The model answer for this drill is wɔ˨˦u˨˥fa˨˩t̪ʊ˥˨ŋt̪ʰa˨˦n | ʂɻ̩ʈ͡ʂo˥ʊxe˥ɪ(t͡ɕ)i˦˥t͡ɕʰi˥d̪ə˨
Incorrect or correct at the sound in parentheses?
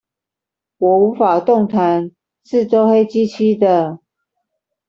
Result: correct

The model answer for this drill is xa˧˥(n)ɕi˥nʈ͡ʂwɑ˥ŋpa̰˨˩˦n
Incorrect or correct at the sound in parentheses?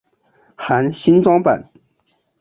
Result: correct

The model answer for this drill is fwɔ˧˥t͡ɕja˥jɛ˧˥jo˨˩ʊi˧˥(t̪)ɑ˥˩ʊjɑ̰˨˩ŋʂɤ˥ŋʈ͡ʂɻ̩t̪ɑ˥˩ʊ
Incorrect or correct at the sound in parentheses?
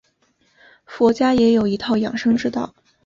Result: incorrect: t̪ʰ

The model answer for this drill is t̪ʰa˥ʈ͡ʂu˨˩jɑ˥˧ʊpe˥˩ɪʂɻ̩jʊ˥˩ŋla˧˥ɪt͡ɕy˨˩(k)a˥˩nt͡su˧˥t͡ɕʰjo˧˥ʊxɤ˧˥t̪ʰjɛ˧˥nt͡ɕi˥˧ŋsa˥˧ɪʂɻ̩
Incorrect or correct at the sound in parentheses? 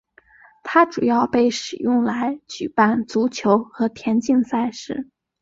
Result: incorrect: p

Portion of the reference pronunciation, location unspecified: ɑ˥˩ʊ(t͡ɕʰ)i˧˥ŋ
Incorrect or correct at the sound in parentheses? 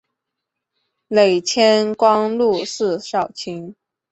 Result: correct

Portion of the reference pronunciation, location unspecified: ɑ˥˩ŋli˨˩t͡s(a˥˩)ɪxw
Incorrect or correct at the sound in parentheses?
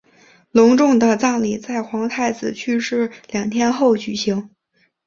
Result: correct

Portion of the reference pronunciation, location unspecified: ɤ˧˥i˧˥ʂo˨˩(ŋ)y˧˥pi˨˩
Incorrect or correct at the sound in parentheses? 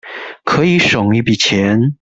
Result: correct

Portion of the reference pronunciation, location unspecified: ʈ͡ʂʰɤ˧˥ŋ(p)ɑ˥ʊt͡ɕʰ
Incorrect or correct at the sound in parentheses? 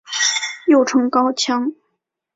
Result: incorrect: k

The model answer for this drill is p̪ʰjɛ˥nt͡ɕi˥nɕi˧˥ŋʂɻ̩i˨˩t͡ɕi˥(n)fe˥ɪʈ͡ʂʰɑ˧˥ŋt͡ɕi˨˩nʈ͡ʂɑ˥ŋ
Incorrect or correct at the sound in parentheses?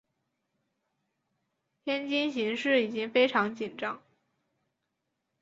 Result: incorrect: ŋ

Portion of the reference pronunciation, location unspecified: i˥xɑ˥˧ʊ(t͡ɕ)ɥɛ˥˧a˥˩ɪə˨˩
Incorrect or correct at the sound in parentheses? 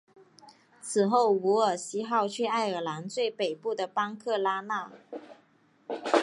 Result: incorrect: t͡ɕʰ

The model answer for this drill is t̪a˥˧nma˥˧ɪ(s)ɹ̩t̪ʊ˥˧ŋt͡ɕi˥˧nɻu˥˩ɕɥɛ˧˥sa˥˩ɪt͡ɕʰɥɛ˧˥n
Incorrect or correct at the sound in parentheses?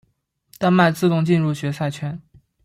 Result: incorrect: t͡s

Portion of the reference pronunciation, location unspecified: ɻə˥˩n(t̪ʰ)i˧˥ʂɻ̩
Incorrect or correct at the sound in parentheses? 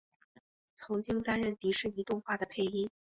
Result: incorrect: t̪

